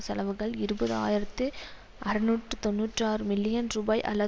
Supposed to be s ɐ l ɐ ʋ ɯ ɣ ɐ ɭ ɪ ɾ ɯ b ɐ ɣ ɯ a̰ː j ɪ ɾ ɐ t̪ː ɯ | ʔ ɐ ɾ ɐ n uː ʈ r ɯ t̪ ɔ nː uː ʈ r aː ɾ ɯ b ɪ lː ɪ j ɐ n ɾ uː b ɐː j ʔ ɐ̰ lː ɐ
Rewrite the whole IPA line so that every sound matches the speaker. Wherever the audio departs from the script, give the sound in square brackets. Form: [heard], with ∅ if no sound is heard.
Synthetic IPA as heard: s ɐ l ɐ ʋ ɯ ɣ ɐ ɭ ɪ ɾ ɯ b ɐ [ð] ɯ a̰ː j ɪ ɾ ɐ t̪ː ɯ | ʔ ɐ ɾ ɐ n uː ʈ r ɯ t̪ ɔ nː uː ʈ r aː ɾ ɯ [m] ɪ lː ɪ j ɐ n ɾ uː b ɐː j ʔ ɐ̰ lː ɐ